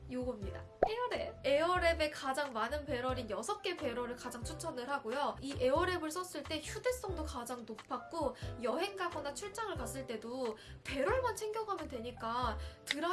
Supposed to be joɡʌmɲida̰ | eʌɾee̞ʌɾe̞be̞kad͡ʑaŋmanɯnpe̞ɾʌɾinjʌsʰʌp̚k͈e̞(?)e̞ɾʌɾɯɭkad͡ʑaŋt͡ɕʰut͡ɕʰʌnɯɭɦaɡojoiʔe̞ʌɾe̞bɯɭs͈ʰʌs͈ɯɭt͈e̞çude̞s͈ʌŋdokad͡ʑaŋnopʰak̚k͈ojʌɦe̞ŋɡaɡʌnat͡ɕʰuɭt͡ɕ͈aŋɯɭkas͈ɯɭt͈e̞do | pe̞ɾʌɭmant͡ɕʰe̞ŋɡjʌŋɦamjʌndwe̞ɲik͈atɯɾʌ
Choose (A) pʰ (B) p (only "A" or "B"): B